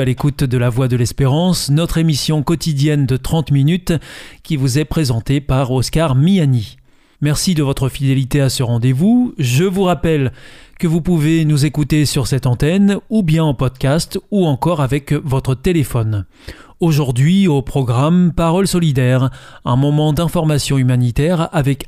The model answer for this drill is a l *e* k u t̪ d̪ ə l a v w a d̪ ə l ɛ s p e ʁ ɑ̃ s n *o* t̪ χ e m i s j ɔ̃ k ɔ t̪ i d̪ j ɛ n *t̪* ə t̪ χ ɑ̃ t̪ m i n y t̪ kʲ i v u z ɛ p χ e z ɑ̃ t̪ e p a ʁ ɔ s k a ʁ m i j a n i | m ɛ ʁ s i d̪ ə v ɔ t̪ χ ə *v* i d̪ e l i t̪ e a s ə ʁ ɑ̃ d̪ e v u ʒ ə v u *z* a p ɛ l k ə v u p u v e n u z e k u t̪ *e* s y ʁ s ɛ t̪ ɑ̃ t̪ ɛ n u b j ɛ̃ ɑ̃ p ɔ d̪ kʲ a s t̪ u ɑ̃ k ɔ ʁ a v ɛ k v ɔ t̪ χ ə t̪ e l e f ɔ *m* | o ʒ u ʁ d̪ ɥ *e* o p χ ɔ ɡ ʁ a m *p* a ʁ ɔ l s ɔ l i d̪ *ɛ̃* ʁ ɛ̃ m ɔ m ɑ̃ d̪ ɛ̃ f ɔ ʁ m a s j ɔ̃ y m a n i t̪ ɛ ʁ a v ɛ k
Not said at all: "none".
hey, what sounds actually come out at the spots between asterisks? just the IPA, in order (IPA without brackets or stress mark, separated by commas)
e, ɔ, d̪, f, ʁ, e, n, i, p, ɛ